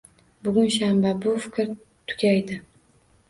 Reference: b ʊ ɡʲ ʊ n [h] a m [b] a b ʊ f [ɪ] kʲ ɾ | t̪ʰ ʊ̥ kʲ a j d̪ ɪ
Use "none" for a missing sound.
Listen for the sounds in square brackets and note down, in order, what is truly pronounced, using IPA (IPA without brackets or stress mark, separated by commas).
ʃ, b, ɪ